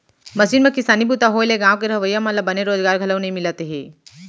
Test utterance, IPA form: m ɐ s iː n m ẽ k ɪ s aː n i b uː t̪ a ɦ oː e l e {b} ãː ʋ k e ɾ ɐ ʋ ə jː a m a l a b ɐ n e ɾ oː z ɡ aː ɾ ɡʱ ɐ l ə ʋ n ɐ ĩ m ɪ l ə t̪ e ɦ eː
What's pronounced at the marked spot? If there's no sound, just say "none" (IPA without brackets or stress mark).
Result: ɡ